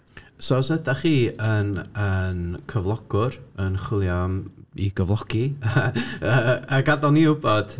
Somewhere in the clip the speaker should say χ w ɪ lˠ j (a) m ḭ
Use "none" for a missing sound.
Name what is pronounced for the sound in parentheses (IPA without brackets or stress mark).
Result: a